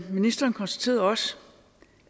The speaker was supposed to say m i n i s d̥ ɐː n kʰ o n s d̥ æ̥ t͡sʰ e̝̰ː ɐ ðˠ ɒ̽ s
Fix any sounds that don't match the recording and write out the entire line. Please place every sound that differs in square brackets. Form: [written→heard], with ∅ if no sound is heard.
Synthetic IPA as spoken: m i n i s d̥ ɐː n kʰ [o→ɒ] n s d̥ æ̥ t͡sʰ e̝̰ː ɐ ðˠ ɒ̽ s